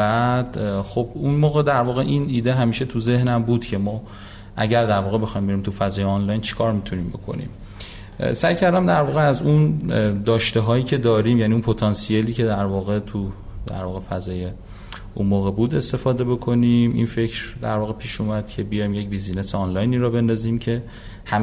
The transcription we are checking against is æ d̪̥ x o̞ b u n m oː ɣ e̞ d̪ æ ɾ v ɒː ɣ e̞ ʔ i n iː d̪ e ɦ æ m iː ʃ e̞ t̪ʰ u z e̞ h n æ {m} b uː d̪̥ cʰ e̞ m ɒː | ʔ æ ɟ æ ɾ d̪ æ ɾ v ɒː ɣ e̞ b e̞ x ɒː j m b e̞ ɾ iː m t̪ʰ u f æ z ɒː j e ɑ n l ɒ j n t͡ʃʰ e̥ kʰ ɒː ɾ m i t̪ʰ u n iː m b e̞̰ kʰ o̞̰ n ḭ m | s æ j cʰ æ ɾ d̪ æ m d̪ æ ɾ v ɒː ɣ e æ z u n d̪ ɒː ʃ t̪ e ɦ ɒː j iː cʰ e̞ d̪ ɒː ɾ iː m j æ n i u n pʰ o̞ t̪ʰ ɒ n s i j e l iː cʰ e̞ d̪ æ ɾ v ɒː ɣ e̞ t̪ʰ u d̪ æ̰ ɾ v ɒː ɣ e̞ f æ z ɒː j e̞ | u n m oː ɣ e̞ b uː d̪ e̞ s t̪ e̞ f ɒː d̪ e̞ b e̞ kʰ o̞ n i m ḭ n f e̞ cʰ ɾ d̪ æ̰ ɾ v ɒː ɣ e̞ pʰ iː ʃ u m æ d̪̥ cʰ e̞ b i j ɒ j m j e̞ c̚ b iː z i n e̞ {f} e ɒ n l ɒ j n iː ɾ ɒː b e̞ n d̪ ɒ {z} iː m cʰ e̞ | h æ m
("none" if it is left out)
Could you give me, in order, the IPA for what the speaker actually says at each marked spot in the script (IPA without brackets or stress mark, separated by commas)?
m, s, z